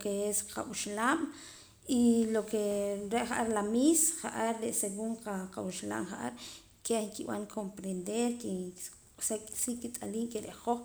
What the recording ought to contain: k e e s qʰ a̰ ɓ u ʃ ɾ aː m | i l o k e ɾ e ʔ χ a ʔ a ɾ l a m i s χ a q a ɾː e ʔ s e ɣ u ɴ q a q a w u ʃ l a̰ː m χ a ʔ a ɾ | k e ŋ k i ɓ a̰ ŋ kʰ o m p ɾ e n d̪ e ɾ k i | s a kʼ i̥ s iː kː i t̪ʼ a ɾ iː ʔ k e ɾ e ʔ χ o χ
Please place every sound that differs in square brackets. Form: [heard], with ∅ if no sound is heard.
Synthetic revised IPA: k e e s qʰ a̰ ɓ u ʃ [l] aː m | i l o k e ɾ e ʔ χ a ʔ a ɾ l a m i s χ a [ʔ] a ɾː e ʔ s e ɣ u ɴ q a q a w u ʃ l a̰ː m χ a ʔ a ɾ | k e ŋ k i ɓ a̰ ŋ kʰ o m p ɾ e n d̪ e ɾ k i | s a kʼ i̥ s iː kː i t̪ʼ a [l] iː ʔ k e ɾ e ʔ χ o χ

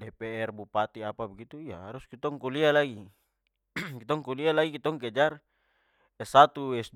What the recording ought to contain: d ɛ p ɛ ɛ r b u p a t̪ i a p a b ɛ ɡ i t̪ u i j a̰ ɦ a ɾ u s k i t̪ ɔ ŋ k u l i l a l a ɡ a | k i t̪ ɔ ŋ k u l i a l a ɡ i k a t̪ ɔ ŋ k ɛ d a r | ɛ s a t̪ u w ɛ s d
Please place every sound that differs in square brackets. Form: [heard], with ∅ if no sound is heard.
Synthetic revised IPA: d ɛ p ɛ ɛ r b u p a t̪ i a p a b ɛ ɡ i t̪ u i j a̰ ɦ a ɾ u s k i t̪ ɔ ŋ k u l i [∅] a l a ɡ [i] | k i t̪ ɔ ŋ k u l i a l a ɡ i k [i] t̪ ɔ ŋ k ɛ [d͡ʒ] a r | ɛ s a t̪ u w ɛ s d

